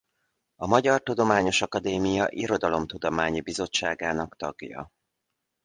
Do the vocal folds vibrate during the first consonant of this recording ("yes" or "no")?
yes